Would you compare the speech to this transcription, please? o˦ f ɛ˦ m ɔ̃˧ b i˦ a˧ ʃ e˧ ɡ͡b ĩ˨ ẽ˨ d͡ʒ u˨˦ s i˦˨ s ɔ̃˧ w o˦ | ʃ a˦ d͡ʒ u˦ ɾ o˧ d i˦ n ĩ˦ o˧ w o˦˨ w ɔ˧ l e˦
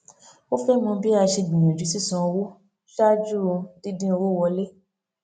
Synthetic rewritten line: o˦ f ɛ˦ m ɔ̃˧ b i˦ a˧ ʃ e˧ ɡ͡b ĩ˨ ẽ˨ d͡ʒ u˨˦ s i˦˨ s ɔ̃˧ w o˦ | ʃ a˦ d͡ʒ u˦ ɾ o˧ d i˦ d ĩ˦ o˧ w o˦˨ w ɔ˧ l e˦

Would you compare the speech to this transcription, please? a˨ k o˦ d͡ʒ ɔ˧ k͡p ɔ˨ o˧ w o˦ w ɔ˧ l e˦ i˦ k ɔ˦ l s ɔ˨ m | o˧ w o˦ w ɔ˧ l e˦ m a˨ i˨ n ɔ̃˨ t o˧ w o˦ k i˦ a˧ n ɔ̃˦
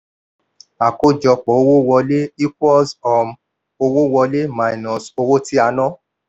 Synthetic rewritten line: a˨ k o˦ d͡ʒ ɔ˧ k͡p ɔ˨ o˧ w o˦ w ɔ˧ l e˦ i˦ k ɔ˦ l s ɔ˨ m | o˧ w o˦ w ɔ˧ l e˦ m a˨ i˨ n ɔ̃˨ s o˧ w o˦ t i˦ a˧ n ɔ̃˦

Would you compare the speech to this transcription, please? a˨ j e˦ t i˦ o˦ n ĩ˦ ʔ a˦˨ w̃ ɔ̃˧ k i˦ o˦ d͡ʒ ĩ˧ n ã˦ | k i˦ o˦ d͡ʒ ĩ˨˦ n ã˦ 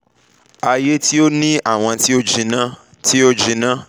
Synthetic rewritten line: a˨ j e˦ t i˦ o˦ n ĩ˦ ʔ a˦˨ w̃ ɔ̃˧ t i˦ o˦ d͡ʒ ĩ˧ n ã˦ | t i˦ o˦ d͡ʒ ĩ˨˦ n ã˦

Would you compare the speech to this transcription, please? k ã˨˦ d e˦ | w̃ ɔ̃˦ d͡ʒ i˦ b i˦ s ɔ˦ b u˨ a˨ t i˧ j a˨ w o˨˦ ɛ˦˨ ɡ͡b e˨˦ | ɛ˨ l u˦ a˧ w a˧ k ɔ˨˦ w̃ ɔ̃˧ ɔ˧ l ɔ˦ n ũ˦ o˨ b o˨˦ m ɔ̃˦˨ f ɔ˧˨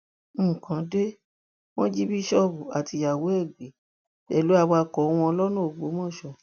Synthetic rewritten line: k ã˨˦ d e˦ | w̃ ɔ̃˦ d͡ʒ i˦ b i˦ ʃ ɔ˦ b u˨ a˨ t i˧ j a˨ w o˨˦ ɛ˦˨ ɡ͡b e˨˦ | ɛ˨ l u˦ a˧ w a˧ k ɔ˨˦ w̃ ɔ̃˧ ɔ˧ l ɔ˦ n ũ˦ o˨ ɡ͡b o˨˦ m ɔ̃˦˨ ʃ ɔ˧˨

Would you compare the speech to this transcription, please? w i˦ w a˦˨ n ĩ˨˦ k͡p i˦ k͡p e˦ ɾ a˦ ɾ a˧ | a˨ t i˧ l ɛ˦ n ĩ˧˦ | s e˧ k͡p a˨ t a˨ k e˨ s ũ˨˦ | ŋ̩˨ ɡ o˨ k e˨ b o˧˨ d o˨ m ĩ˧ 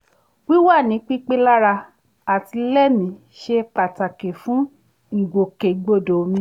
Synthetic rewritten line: w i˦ w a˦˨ n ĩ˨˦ k͡p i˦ k͡p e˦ l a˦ ɾ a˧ | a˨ t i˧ l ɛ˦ m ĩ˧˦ | ʃ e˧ k͡p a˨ t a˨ k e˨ f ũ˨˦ | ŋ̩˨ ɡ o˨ k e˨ ɡ͡b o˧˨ d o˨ m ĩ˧

